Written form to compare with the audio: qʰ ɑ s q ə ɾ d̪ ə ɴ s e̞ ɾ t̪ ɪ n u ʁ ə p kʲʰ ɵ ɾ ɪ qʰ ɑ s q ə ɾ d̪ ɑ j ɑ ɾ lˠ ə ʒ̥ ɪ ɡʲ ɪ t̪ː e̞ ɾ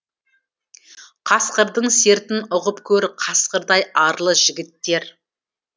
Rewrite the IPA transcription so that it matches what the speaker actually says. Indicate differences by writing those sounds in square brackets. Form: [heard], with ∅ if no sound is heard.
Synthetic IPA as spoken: qʰ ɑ s q ə ɾ d̪ ə ɴ s e̞ ɾ t̪ ɪ n [ʊ] ʁ ə p kʲʰ ɵ ɾ ɪ qʰ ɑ s q ə ɾ d̪ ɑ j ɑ ɾ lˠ ə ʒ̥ ɪ ɡʲ ɪ t̪ː e̞ ɾ